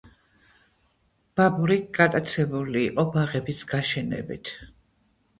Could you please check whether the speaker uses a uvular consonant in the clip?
yes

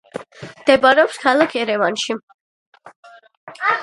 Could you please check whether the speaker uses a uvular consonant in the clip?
no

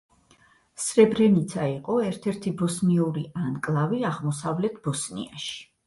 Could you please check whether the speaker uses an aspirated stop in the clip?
yes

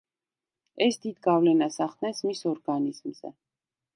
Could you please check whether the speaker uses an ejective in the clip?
no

